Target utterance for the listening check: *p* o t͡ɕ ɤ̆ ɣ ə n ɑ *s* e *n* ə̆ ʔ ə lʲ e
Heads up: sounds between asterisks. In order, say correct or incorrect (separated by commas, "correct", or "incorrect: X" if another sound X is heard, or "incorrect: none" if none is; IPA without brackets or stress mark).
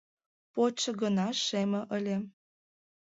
correct, incorrect: ʃ, incorrect: m